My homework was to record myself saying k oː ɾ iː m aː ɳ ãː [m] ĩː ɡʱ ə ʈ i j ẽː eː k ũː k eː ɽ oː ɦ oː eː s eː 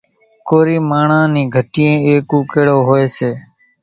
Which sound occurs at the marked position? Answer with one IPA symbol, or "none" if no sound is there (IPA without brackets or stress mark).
n